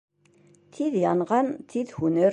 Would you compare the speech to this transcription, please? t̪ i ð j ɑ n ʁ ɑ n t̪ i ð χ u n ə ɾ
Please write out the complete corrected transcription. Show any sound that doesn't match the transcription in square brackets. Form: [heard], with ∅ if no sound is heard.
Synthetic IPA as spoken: [t̪ʰ] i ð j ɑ n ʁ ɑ n [t̪ʰ] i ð [h] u n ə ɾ